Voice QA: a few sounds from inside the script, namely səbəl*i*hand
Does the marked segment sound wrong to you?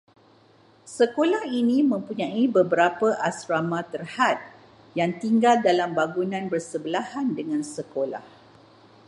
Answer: yes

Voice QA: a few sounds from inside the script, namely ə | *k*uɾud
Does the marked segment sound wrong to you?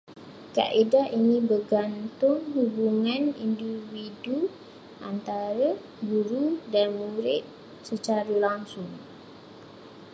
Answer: yes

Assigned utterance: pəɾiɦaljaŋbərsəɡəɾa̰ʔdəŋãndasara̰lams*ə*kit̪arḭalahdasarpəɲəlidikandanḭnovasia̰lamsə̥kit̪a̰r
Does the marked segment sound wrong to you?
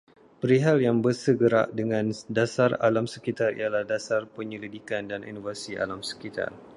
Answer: no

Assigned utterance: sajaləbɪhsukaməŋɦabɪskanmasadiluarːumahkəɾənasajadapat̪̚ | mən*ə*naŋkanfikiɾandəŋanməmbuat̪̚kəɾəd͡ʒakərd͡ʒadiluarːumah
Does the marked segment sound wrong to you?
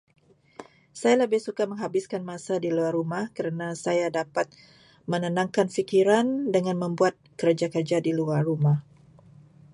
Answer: no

